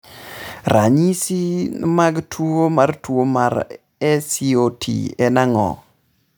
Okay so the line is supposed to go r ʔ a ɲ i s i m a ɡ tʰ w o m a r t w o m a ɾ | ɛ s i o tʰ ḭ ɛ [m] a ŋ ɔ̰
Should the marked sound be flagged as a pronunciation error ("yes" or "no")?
yes